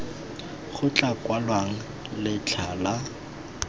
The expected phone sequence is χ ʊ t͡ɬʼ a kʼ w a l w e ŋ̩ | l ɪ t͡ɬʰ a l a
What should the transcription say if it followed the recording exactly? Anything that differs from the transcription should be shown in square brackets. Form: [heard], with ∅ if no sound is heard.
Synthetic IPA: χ ʊ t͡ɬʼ a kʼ w a l w [a] ŋ̩ | l ɪ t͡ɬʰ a l a